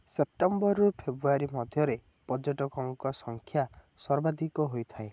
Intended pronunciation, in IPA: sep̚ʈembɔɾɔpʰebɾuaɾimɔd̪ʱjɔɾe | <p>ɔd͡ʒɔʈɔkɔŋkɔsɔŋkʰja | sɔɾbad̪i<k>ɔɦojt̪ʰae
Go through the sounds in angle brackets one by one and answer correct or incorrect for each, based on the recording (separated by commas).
correct, correct